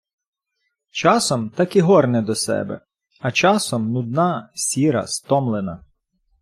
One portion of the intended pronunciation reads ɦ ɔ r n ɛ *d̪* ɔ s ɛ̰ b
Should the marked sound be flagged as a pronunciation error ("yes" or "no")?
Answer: no